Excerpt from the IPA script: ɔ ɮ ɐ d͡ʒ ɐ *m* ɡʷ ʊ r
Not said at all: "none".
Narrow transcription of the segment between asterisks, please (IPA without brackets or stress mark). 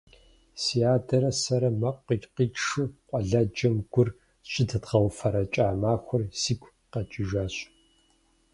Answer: m